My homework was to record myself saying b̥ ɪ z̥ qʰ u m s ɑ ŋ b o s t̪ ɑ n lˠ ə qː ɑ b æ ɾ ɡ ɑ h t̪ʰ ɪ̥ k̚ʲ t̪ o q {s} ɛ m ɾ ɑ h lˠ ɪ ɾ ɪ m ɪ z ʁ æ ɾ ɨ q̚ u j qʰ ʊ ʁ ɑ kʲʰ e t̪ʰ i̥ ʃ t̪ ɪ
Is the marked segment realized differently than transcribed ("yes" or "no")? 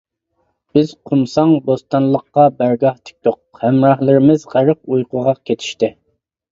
yes